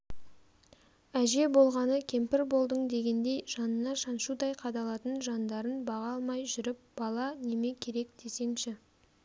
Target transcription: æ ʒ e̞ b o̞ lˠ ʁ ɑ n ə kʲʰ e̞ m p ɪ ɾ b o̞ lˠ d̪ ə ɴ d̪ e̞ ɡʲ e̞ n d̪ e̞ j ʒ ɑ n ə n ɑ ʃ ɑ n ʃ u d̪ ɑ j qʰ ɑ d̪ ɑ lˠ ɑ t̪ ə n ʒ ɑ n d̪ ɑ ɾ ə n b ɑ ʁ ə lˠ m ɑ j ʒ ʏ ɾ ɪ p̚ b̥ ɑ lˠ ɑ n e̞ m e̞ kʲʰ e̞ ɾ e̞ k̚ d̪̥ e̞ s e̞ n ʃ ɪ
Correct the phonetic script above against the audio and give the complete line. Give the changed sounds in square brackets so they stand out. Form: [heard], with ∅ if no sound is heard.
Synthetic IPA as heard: æ ʒ e̞ b o̞ lˠ ʁ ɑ n ə kʲʰ e̞ m p ɪ ɾ b o̞ lˠ d̪ ə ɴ d̪ e̞ ɡʲ e̞ n d̪ e̞ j ʒ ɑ n ə n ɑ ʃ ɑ n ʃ u d̪ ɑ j qʰ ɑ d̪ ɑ lˠ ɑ t̪ ə n ʒ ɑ n d̪ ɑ ɾ ə n b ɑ ʁ [ɑ] lˠ m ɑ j ʒ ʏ ɾ ɪ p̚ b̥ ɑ lˠ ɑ n e̞ m e̞ kʲʰ e̞ ɾ e̞ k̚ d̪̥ e̞ s e̞ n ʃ ɪ